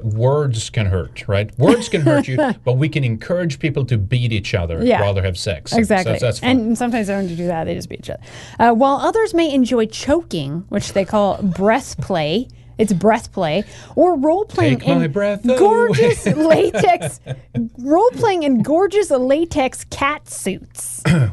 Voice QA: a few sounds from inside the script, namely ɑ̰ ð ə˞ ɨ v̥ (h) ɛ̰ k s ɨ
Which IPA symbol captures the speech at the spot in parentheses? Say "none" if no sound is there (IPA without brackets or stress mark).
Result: s